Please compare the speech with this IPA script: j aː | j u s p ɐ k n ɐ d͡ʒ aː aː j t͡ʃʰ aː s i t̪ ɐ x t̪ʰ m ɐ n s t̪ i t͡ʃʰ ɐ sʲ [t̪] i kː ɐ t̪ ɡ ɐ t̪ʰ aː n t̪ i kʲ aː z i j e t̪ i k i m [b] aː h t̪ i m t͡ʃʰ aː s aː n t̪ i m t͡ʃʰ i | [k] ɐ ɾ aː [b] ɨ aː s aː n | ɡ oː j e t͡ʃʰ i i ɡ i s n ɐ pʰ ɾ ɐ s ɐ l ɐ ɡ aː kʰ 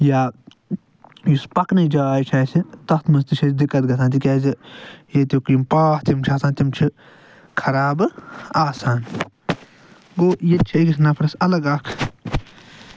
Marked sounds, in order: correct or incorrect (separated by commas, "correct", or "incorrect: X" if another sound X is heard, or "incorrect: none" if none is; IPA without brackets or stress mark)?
incorrect: d̪, incorrect: p, incorrect: kʰ, correct